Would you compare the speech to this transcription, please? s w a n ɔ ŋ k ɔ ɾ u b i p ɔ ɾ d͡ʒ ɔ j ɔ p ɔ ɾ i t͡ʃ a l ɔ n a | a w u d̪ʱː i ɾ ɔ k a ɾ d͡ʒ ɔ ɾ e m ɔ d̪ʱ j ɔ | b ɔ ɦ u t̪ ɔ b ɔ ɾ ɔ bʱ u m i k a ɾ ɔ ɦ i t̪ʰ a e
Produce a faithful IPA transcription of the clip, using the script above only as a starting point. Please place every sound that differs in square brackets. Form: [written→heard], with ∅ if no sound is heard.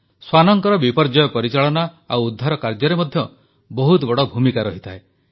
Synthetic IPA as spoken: s w a n ɔ ŋ k ɔ ɾ [u→ɔ] b i p ɔ ɾ d͡ʒ ɔ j ɔ p ɔ ɾ i t͡ʃ a [l→ɭ] ɔ n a | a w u d̪ʱː [i→a] ɾ ɔ k a ɾ d͡ʒ ɔ ɾ e m ɔ d̪ʱ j ɔ | b ɔ ɦ u t̪ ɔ b ɔ [ɾ→ɽ] ɔ bʱ u m i k a ɾ ɔ ɦ i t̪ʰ a e